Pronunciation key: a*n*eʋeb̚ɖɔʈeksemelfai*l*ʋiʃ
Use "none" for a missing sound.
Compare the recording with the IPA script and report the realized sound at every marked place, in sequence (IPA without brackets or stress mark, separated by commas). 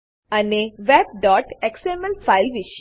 n, l